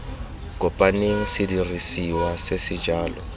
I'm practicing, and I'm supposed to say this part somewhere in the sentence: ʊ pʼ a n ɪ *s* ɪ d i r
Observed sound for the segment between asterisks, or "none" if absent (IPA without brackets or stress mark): s